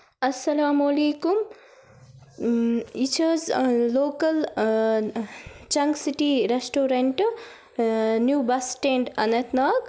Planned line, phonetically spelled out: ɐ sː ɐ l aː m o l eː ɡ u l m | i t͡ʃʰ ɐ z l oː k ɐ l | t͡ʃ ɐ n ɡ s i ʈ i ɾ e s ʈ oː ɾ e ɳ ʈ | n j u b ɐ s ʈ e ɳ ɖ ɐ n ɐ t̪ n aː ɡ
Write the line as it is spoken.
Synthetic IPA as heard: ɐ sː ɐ l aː m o l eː k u m | i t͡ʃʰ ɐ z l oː k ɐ l | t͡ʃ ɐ ŋ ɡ s i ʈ i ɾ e s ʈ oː ɾ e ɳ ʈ | n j u b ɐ s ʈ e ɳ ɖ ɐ n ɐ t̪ n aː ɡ

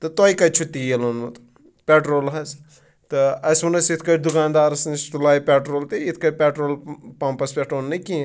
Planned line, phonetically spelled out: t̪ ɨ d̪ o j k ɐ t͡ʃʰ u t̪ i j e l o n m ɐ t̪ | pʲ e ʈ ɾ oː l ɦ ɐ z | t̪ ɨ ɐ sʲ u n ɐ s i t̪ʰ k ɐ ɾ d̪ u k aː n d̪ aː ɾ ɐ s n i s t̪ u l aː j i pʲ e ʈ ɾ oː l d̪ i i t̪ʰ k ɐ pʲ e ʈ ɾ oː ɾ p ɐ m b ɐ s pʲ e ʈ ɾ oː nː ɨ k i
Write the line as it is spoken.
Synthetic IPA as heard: t̪ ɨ t̪ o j k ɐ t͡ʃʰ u t̪ i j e l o n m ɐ t̪ | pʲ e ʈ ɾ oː l ɦ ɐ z | t̪ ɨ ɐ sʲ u n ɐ s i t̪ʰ k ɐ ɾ d̪ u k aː n d̪ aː ɾ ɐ s n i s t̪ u l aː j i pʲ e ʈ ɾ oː l t̪ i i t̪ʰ k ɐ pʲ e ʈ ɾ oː l p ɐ m p ɐ s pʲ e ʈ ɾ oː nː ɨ k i

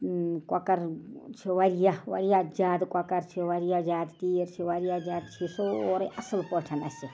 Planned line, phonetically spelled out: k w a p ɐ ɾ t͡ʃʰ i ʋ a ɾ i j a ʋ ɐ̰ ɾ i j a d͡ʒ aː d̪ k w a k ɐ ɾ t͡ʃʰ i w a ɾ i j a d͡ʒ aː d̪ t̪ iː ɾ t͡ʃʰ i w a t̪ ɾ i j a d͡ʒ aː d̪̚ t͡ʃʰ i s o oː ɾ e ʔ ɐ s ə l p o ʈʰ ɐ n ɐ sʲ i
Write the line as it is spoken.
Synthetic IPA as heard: k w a k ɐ ɾ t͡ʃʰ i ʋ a ɾ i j a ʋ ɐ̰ ɾ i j a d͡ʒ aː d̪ k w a k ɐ ɾ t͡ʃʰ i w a ɾ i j a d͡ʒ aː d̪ t̪ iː ɾ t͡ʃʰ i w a ɾ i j a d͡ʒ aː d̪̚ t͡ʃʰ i s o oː ɾ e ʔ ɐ s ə l p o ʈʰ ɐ n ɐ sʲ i

